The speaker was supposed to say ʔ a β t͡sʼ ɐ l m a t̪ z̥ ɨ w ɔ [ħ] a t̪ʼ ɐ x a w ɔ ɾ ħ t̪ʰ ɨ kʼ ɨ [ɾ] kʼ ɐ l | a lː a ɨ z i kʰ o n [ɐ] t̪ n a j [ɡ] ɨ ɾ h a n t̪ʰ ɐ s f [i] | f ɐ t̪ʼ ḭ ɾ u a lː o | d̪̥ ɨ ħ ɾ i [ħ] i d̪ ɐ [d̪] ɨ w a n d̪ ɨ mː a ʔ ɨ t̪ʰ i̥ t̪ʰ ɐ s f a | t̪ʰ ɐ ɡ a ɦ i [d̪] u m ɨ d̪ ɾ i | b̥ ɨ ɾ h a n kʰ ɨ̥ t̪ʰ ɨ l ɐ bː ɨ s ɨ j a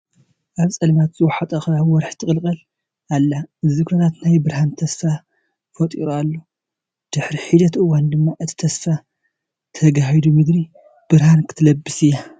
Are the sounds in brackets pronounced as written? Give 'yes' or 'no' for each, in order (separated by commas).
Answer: yes, no, no, no, no, yes, no, yes